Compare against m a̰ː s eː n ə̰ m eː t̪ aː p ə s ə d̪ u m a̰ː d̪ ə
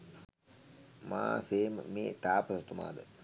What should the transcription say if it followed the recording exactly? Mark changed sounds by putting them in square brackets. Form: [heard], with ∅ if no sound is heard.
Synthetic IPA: m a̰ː s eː [m] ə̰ m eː t̪ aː p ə s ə [t̪] u m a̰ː d̪ ə